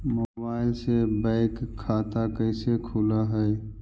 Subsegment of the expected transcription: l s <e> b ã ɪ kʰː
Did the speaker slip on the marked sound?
no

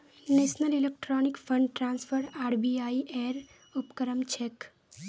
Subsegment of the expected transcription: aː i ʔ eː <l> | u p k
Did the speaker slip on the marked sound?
yes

